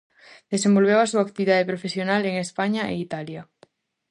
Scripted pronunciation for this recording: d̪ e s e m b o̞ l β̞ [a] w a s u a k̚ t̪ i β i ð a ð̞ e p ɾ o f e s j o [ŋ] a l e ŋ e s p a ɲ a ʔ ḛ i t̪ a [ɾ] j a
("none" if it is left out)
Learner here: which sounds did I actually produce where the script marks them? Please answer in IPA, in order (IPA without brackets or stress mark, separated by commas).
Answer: e, n, l